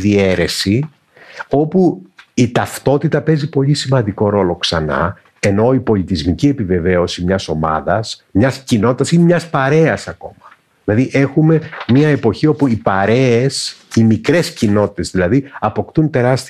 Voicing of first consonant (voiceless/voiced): voiced